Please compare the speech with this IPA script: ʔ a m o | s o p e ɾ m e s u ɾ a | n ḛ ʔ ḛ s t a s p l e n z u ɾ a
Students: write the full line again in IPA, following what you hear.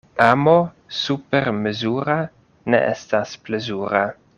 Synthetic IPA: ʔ a m o | s u p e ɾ m e z u ɾ a | n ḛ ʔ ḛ s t a s p l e z u ɾ a